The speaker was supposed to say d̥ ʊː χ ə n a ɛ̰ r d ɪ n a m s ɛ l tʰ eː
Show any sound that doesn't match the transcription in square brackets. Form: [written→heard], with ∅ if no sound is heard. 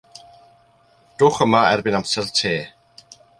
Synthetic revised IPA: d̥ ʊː χ ə [n→m] a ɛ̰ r [d→b] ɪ n a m s ɛ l tʰ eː